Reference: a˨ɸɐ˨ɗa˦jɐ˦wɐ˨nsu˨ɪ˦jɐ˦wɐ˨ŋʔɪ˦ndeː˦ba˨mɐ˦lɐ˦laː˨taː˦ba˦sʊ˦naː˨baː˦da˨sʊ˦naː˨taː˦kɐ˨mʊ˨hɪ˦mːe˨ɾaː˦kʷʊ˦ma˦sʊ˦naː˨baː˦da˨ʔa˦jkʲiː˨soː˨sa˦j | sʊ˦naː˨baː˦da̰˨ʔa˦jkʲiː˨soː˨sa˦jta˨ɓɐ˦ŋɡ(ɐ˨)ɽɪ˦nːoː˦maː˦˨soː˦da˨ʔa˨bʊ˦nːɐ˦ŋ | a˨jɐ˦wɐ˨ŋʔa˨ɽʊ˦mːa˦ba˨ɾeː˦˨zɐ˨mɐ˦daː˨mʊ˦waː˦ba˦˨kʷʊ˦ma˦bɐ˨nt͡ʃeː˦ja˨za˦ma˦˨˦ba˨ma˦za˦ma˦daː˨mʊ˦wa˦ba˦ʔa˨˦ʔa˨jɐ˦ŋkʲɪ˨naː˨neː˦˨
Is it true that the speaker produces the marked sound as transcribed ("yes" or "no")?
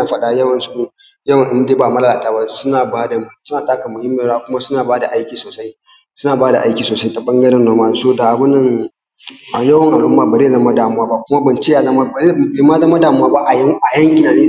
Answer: no